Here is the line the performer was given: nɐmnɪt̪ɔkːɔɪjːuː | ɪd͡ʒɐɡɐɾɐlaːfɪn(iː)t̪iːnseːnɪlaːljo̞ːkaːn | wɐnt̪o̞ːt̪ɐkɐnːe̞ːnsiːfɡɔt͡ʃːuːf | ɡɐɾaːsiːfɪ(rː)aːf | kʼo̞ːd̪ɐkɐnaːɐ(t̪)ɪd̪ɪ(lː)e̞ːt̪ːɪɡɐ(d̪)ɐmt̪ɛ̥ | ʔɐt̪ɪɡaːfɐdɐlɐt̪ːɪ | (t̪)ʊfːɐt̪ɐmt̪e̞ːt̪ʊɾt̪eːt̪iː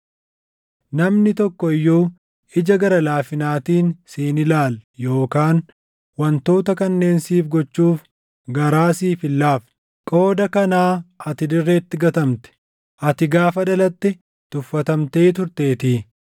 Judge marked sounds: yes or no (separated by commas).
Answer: no, no, yes, no, no, yes